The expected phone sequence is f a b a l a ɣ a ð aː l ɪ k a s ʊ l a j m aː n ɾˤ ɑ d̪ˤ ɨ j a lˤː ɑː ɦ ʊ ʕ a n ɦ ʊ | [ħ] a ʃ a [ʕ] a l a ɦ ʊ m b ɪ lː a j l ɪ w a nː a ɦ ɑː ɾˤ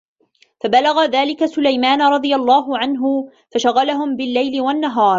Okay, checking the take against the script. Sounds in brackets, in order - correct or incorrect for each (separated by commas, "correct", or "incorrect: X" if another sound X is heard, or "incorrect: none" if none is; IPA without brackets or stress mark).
incorrect: f, incorrect: ɣ